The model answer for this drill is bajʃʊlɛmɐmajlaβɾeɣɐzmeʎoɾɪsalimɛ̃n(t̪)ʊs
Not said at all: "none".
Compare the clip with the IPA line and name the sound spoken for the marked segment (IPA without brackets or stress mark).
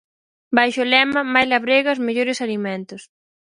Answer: t̪